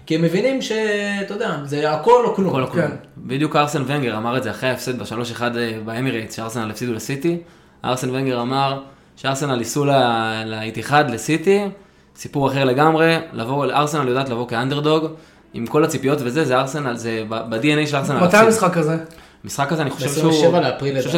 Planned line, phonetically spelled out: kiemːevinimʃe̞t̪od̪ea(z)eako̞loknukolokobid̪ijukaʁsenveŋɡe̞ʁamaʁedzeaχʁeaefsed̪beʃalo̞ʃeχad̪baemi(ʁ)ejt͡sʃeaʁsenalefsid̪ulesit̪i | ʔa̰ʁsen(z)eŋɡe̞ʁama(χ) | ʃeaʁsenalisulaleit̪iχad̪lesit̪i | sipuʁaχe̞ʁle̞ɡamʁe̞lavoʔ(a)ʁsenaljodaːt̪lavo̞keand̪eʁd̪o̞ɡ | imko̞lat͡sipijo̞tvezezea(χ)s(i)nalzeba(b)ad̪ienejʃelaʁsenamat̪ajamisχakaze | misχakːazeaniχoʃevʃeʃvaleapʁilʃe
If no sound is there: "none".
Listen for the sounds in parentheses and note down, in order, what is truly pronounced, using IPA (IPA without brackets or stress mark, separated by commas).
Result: z, ʁ, v, ʁ, a, ʁ, e, b